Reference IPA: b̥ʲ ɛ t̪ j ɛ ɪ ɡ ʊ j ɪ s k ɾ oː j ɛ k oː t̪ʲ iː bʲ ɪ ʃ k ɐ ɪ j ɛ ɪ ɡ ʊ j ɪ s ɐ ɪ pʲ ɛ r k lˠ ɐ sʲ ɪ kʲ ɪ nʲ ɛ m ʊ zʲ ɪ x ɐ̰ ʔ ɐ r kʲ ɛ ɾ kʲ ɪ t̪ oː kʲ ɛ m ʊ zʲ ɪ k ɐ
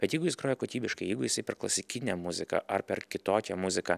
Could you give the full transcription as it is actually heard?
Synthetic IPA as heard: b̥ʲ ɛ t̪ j ɛ ɪ ɡ ʊ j ɪ s k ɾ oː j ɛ k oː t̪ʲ iː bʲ ɪ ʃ k ɐ ɪ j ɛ ɪ ɡ ʊ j ɪ s ɐ ɪ pʲ ɛ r k lˠ ɐ sʲ ɪ kʲ ɪ nʲ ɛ m ʊ zʲ ɪ k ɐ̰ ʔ ɐ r pʲ ɛ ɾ kʲ ɪ t̪ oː kʲ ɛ m ʊ zʲ ɪ k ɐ